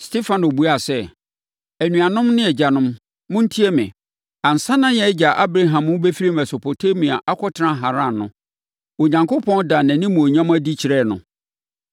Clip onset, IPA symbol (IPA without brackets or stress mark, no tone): s